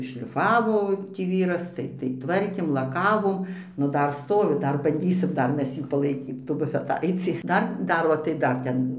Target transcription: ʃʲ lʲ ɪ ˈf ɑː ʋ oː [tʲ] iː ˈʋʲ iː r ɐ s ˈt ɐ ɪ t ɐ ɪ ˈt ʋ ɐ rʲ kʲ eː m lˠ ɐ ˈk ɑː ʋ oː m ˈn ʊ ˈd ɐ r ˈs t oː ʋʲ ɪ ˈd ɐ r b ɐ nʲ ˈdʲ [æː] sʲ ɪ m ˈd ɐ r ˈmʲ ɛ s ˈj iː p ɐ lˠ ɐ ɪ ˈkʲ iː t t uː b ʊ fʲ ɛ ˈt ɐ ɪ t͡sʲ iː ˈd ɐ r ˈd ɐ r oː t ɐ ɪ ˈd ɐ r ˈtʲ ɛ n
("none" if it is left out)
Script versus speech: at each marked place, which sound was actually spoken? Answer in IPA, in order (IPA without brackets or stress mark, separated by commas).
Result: tʲ, iː